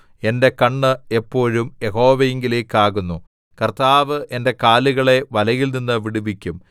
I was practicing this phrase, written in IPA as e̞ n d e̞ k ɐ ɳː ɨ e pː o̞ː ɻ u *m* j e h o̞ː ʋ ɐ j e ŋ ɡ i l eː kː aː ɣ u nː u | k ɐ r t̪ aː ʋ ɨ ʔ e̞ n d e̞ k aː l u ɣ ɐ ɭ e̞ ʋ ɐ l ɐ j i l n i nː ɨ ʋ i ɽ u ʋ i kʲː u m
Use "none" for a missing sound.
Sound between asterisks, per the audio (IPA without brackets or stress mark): m